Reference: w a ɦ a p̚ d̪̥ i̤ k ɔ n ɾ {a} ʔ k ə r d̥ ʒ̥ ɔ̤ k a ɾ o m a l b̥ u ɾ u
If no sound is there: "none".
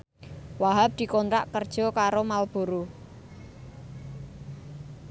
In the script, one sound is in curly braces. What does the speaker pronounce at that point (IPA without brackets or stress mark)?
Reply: a